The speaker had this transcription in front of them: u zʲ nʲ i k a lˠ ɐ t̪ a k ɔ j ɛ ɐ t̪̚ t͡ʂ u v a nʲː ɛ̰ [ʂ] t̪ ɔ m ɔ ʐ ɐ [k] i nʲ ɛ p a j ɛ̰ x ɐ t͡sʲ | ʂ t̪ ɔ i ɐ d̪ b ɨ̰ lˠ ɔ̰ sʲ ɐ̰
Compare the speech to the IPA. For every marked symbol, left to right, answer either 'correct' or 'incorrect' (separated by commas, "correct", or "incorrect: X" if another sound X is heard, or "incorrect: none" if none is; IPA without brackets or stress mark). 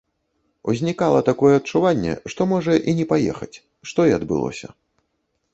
correct, incorrect: ʔ